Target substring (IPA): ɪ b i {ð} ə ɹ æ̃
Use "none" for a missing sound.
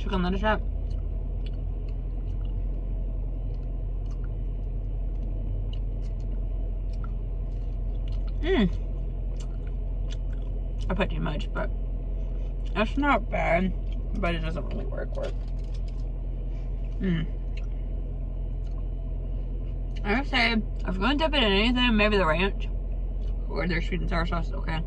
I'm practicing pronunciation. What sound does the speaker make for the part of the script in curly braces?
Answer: ð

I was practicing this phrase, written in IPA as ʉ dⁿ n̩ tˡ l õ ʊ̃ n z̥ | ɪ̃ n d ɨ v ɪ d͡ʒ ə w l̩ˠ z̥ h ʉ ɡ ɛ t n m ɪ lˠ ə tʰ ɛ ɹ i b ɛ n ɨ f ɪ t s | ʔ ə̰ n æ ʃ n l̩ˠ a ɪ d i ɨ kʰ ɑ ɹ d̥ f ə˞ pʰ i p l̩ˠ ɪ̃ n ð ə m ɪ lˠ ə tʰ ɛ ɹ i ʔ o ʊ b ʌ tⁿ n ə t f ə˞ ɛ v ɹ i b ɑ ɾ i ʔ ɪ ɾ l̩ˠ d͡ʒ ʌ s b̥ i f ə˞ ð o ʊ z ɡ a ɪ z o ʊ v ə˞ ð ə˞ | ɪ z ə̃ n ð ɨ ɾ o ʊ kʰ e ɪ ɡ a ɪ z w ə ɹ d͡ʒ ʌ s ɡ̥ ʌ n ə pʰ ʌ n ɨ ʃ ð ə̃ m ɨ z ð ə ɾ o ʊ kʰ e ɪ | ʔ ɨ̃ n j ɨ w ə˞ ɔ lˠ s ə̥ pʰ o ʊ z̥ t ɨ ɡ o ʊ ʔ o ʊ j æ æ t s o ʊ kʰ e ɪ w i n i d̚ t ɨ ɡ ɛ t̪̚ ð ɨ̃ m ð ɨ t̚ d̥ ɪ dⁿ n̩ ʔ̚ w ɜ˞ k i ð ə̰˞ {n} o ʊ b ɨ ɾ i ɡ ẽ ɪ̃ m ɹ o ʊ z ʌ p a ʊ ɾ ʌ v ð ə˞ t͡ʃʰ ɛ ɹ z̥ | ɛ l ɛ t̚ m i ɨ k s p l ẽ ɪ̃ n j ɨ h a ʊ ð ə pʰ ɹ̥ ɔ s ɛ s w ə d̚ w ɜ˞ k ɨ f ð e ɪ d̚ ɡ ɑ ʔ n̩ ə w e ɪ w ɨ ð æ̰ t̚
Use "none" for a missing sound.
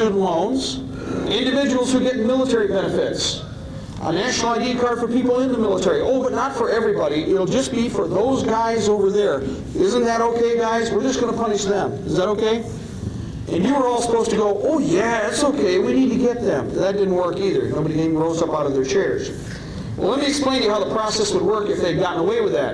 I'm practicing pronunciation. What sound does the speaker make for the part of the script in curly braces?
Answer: n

